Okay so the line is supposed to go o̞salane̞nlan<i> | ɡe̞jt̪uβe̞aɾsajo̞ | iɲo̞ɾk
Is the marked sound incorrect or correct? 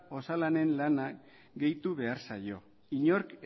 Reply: incorrect